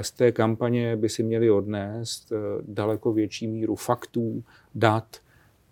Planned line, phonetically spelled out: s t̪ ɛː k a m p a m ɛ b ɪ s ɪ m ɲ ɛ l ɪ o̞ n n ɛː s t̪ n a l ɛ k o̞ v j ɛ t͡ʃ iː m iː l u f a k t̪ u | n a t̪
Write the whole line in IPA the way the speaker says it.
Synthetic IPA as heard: s t̪ ɛː k a m p a ɲ ɛ b ɪ s ɪ m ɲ ɛ l ɪ o̞ d n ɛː s t̪ d a l ɛ k o̞ v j ɛ t͡ʃ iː m iː ɾ u f a k t̪ uː | d a t̪